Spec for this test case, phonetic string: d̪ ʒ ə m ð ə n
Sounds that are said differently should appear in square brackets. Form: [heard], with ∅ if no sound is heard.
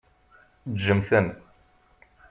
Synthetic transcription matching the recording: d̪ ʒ ə m [θ] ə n